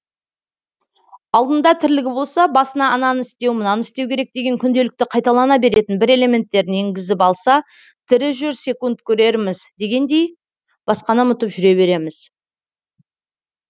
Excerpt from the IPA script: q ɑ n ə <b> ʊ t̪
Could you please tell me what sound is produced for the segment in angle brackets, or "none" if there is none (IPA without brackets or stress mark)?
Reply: m